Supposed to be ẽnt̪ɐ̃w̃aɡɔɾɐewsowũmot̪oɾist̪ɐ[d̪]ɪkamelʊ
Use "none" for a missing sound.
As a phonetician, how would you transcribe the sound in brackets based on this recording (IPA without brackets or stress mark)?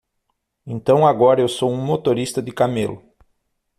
d̪